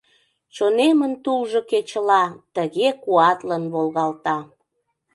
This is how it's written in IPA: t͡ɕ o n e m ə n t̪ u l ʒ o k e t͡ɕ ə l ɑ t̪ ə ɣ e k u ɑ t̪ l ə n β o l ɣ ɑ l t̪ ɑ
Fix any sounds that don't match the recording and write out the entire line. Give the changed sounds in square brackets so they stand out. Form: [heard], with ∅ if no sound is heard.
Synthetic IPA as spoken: t͡ɕ o n e m ə n t̪ u l ʒ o k e t͡ɕ ə l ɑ t̪ ə ɣ e k u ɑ t̪ l ə n β o l ɣ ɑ l t̪ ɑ